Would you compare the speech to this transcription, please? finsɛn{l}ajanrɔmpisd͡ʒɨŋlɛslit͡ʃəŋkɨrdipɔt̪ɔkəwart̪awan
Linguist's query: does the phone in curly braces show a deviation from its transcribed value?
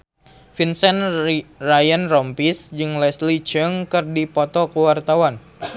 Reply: yes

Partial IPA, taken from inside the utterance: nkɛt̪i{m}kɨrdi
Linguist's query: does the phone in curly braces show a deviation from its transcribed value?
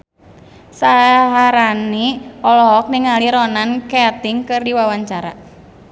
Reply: yes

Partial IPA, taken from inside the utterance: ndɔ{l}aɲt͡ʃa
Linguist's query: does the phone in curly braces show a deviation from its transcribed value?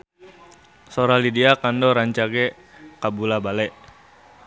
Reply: yes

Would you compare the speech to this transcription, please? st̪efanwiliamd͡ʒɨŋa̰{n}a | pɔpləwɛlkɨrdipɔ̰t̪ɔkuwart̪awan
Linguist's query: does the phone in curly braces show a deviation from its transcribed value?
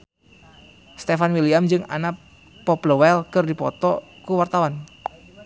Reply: no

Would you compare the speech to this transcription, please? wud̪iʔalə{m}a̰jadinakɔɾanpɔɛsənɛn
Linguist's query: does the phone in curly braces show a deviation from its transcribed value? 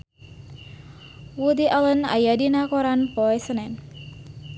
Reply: yes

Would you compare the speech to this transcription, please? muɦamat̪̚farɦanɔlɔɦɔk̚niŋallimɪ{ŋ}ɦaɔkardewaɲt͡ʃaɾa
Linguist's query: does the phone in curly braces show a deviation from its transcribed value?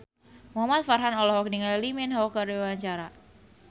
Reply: yes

